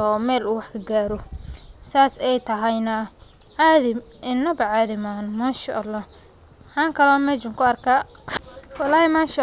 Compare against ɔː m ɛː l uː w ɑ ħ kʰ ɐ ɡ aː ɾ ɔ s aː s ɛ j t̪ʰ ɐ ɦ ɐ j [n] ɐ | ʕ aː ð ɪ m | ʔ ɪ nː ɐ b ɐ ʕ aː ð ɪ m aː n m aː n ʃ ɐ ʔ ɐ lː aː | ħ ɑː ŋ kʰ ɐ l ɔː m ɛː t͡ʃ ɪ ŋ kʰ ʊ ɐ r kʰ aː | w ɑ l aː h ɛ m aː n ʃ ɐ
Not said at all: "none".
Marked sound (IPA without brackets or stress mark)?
n